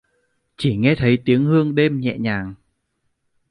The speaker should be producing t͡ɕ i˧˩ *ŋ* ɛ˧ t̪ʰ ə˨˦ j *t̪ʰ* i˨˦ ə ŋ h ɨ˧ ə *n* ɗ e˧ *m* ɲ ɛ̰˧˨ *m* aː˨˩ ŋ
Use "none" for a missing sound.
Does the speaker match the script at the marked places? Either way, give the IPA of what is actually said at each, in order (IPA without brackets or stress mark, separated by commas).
ŋ, t̪, ŋ, m, ɲ